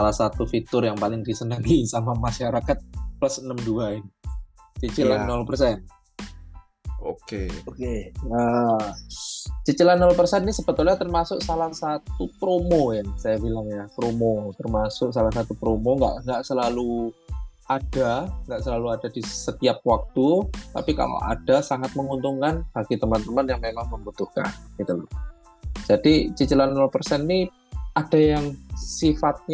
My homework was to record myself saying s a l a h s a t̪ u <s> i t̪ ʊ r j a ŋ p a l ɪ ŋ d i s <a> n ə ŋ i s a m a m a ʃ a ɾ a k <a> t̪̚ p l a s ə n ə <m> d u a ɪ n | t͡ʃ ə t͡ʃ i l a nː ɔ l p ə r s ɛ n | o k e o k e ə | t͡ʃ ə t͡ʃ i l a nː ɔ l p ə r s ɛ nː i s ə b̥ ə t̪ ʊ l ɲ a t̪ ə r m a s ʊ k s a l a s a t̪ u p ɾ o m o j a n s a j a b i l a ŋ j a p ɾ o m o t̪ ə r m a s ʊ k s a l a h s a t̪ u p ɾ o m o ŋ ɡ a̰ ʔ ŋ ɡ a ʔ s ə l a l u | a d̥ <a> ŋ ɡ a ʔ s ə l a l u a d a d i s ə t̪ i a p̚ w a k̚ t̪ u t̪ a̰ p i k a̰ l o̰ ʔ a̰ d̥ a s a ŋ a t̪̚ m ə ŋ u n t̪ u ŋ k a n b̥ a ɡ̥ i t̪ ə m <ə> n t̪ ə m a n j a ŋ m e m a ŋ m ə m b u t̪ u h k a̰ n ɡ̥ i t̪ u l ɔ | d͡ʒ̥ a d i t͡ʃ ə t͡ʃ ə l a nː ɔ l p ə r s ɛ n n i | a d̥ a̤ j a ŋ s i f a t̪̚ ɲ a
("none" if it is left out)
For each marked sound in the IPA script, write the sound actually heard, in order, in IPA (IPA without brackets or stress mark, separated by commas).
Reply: f, ə, a, m, a, a